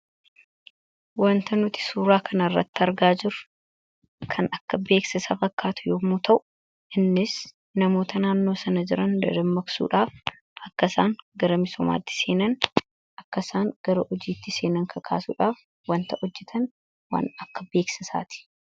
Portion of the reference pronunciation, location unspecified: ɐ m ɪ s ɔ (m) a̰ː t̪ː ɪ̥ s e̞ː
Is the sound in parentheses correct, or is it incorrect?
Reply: correct